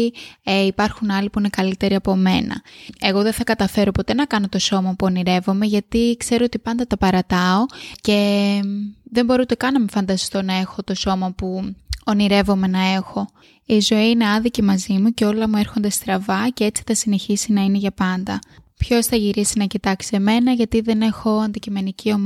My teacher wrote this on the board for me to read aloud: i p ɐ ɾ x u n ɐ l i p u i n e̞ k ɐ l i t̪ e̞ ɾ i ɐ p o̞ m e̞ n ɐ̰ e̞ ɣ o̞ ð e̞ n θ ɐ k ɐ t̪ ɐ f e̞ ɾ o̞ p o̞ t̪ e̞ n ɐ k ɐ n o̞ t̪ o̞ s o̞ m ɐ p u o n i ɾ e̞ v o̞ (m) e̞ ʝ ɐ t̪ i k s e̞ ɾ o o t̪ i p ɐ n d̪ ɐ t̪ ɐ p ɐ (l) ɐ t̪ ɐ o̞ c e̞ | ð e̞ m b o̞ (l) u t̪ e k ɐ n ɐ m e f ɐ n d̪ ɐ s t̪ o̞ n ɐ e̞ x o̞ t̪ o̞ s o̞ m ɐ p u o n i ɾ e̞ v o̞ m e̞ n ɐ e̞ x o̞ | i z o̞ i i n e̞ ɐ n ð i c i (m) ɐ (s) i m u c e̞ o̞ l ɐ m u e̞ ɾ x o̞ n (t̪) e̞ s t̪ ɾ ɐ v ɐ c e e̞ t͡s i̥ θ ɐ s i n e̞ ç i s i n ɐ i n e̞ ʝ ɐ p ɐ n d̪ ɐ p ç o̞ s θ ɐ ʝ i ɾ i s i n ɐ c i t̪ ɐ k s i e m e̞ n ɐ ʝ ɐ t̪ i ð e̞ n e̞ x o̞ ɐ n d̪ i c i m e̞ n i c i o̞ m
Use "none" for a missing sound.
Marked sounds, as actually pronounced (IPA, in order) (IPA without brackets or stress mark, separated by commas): m, ɾ, ɾ, m, z, d̪